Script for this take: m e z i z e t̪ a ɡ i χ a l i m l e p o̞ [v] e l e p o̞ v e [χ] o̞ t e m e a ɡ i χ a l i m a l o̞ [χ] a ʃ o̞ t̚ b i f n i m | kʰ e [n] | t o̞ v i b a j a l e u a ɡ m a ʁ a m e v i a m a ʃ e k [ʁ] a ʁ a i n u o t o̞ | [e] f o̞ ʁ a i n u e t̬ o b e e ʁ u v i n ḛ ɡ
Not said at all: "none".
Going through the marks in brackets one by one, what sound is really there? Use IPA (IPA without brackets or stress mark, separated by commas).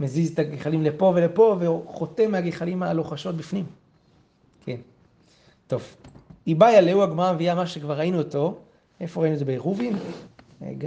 v, χ, χ, n, v, e